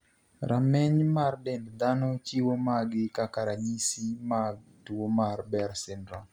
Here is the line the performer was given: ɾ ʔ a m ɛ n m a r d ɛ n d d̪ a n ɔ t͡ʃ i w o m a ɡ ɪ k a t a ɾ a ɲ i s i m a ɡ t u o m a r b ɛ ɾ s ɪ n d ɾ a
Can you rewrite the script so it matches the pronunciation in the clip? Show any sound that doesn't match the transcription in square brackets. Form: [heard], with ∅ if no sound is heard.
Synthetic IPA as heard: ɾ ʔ a m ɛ [ɲ] m a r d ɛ n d d̪ a n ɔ t͡ʃ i w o m a ɡ ɪ k a [k] a ɾ a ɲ i s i m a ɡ t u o m a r b ɛ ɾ s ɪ n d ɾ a